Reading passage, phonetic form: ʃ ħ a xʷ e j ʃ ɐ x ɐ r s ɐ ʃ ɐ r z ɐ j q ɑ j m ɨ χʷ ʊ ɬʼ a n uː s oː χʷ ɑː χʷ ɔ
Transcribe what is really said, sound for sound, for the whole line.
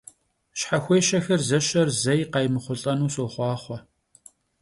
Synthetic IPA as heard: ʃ ħ a xʷ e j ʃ ɐ x ɐ r z ɐ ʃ ɐ r z ɐ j q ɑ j m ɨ χʷ ʊ ɬʼ ɐ n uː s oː χʷ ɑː χʷ ɔ